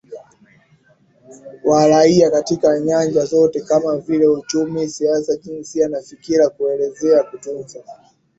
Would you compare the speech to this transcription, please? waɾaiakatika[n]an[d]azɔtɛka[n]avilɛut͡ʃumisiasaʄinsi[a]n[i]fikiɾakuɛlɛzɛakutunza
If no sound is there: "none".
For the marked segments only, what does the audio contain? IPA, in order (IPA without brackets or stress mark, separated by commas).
ɲ, d͡ʒ, m, a, a